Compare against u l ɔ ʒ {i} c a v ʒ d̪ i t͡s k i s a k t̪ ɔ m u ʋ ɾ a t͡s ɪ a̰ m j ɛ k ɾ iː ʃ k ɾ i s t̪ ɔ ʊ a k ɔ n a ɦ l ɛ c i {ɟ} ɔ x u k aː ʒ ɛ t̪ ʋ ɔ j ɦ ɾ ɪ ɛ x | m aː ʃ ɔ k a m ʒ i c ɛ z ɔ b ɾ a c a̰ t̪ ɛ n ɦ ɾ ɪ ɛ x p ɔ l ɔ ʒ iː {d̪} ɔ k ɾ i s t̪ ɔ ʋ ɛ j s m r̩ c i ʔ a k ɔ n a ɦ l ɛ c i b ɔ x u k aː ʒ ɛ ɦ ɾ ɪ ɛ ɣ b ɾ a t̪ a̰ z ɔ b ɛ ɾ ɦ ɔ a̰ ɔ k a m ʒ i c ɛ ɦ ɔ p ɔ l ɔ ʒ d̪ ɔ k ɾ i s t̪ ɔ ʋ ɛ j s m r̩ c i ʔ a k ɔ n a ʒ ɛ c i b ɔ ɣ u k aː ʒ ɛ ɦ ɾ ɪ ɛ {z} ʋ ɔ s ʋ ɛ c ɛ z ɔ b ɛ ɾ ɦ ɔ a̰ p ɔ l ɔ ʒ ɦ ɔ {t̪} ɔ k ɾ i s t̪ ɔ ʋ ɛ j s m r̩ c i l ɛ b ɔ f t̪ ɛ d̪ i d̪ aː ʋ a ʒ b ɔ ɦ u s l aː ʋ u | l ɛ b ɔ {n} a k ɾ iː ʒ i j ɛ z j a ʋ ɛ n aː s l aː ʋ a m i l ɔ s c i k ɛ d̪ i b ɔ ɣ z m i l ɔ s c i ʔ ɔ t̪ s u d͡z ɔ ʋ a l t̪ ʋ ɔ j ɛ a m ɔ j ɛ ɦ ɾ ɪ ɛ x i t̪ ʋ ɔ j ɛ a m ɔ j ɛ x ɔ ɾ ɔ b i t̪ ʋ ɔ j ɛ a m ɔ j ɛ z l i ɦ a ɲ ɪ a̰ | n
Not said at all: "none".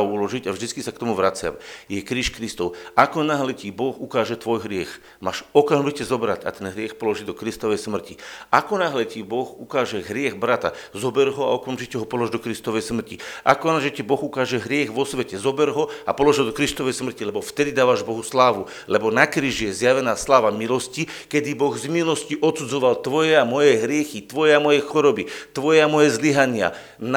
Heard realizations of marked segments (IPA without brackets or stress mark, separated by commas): i, b, d̪, ɣ, d̪, n